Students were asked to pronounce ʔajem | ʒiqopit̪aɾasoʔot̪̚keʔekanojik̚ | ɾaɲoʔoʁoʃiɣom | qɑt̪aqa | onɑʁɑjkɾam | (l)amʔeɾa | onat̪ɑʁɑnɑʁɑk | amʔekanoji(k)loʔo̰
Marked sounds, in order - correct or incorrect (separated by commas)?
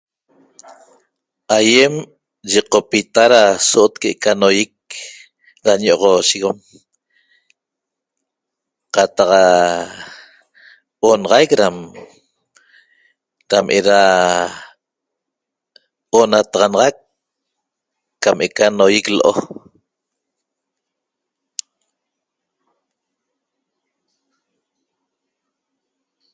incorrect, correct